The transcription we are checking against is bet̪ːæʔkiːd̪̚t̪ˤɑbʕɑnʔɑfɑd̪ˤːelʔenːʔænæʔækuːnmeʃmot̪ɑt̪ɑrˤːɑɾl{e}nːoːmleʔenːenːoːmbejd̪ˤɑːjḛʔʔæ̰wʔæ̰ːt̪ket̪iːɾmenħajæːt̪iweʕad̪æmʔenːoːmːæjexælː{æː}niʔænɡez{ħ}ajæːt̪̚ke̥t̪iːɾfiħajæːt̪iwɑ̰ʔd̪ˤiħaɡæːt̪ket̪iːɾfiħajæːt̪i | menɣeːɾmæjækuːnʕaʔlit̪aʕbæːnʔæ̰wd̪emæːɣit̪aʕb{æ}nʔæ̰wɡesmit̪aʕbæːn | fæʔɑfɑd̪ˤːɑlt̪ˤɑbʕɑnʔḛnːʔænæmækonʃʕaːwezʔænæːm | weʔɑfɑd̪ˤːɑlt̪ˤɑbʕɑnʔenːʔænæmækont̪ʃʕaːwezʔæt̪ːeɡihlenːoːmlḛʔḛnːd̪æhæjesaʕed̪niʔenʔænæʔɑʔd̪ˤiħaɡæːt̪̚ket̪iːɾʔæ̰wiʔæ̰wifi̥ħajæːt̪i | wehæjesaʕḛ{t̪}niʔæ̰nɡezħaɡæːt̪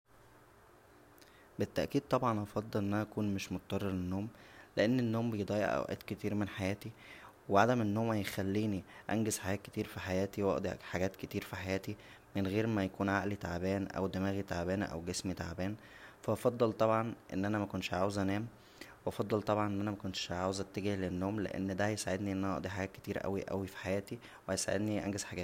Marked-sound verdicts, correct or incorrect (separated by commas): correct, incorrect, correct, incorrect, incorrect